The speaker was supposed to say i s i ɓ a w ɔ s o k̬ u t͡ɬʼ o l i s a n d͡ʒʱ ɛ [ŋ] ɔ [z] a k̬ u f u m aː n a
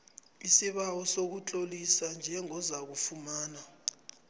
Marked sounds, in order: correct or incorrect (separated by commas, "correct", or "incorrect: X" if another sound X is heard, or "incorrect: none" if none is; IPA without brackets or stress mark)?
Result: correct, correct